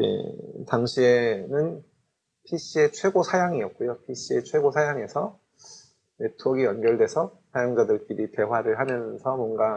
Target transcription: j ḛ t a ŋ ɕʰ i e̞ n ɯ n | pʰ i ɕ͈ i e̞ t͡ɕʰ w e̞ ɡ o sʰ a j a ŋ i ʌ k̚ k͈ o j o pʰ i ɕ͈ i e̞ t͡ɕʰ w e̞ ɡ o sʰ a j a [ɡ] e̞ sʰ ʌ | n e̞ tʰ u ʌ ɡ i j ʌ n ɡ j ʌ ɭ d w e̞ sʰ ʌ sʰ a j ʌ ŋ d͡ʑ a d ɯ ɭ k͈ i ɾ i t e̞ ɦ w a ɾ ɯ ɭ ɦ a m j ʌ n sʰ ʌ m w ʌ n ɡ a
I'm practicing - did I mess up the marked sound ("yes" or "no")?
yes